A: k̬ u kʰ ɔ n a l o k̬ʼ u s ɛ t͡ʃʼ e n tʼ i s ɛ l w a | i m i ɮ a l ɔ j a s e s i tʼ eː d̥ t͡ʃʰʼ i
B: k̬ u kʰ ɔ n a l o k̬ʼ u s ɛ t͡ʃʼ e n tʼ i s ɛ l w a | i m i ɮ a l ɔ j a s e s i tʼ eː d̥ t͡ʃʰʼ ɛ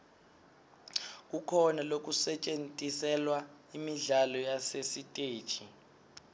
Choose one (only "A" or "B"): A